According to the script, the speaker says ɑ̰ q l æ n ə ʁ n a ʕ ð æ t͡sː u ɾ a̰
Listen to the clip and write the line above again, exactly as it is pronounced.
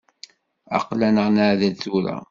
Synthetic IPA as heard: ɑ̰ q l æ n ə ʁ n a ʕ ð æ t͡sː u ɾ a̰